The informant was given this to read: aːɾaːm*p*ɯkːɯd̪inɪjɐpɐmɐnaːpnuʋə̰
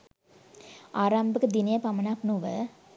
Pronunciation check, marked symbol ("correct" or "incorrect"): incorrect